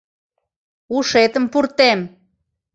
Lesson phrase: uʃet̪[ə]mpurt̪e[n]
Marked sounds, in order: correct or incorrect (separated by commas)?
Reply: correct, incorrect